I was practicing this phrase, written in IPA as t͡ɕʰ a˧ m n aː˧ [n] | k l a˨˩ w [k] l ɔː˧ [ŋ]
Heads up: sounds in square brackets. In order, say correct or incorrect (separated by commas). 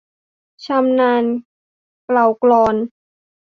correct, correct, incorrect